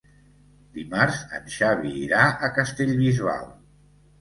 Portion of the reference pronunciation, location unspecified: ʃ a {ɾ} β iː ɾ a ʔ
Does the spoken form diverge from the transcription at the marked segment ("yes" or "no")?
yes